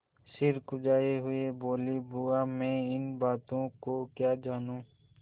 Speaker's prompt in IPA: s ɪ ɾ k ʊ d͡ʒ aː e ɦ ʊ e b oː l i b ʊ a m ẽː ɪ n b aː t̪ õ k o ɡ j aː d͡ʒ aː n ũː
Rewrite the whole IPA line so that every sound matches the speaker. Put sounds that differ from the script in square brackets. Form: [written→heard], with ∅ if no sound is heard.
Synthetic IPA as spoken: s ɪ ɾ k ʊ d͡ʒ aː e ɦ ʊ e b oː l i b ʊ a m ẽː ɪ n b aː t̪ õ k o [ɡ→k] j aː d͡ʒ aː n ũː